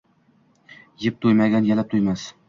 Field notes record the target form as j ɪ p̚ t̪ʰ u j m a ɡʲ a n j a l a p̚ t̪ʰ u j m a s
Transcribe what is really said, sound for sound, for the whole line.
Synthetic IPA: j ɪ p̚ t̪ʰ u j m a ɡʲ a n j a l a p̚ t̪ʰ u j m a s

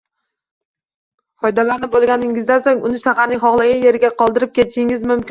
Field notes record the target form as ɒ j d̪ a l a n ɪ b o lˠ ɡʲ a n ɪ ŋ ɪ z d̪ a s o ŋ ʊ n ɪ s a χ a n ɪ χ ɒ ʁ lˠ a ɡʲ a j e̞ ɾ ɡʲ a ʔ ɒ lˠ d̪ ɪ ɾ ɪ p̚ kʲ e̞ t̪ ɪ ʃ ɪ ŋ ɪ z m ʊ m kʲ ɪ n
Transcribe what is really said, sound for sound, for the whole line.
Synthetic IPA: ɒ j d̪ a l a n ɪ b o lˠ ɡʲ a n ɪ ŋ ɪ z d̪ a s o ŋ ʊ n ɪ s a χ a n ɪ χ ɒ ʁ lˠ a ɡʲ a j e̞ ɾ ɡʲ a q ɒ lˠ d̪ ɪ ɾ ɪ p̚ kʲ e̞ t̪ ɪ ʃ ɪ ŋ ɪ z m ʊ m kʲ ɪ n

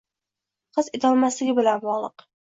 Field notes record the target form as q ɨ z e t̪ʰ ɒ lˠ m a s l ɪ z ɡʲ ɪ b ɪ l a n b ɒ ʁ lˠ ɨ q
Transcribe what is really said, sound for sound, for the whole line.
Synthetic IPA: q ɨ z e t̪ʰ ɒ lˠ m a s l ɪ ɡʲ ɪ b ɪ l a n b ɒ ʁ lˠ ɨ q

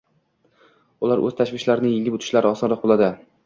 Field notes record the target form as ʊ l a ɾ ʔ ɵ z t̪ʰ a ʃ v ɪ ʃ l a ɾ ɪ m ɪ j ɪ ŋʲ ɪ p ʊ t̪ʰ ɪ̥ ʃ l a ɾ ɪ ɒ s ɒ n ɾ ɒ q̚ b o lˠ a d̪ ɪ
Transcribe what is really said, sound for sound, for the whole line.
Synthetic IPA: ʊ l a ɾ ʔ ɵ z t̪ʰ a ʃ v ɪ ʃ l a ɾ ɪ n ɪ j ɪ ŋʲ ɪ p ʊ t̪ʰ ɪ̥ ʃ l a ɾ ɪ ɒ s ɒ n ɾ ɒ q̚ b o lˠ a d̪ ɪ

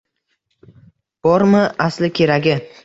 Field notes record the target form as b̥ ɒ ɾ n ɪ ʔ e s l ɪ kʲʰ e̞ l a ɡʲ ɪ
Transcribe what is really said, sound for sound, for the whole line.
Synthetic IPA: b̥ ɒ ɾ m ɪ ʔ a s l ɪ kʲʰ e̞ ɾ a ɡʲ ɪ

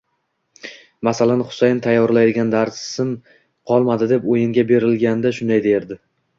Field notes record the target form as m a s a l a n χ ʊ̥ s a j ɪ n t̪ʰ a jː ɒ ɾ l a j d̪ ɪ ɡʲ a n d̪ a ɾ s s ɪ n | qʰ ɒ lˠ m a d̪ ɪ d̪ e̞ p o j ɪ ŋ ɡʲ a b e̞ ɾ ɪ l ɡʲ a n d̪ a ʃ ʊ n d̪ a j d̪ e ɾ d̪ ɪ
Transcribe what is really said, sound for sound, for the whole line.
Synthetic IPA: m a s a l a n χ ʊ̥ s a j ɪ n t̪ʰ a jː ɒ ɾ l a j d̪ ɪ ɡʲ a n d̪ a ɾ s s ɪ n | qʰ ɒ lˠ m a d̪ ɪ d̪ e̞ p o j ɪ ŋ ɡʲ a b e̞ ɾ ɪ l ɡʲ a n d̪ a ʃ ʊ n d̪ a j d̪ e ɾ d̪ ɪ

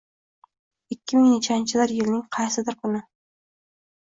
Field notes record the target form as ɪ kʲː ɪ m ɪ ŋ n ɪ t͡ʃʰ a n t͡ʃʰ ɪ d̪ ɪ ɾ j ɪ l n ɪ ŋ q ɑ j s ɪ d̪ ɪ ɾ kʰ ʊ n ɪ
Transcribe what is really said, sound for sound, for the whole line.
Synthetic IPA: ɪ kʲː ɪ m ɪ ŋ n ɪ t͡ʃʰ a n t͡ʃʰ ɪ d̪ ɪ ɾ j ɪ l n ɪ ŋ qʰ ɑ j s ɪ d̪ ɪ ɾ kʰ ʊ n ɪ

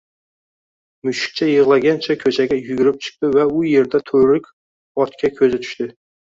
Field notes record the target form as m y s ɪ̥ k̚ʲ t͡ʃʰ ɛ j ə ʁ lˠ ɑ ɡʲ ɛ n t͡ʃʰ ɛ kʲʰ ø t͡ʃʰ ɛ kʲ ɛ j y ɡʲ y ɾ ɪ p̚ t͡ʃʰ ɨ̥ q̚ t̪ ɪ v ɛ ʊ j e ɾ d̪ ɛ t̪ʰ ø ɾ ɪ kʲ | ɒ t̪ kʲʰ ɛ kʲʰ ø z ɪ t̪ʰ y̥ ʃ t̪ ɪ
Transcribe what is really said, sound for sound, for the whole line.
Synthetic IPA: m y ʃ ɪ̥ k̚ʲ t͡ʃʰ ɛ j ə ʁ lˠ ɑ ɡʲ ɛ n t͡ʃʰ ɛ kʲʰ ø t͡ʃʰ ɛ ɡʲ ɛ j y ɡʲ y ɾ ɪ p̚ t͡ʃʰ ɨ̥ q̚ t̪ ɪ v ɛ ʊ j e ɾ d̪ ɛ t̪ʰ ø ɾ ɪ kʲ | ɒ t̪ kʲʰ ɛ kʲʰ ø z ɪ t̪ʰ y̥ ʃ t̪ ɪ

